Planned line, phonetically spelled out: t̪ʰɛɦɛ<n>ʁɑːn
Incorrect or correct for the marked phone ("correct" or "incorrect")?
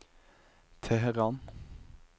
incorrect